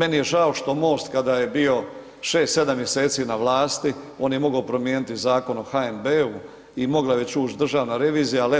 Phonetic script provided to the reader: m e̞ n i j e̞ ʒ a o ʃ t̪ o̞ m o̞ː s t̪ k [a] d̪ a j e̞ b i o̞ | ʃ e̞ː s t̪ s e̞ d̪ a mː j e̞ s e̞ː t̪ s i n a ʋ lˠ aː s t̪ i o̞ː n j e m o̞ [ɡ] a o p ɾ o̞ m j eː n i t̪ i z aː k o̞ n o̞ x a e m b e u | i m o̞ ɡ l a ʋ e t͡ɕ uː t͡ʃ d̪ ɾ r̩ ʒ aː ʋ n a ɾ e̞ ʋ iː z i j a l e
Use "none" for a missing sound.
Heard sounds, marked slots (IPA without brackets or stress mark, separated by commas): a, ɡ